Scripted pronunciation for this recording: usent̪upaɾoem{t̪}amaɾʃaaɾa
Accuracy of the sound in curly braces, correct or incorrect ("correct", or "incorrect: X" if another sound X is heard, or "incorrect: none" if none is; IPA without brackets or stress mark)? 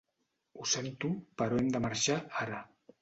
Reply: incorrect: d̪